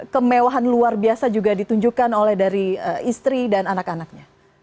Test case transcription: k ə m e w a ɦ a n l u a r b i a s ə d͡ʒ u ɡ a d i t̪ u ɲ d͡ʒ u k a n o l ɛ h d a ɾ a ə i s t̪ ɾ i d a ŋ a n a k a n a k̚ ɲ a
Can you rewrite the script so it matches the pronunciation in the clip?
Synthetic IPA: k ə m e w a ɦ a n l u a r b i a s a d͡ʒ u ɡ a d i t̪ u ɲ d͡ʒ u k a n o l ɛ h d a ɾ i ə i s t̪ ɾ i d a n a n a k a n a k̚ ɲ a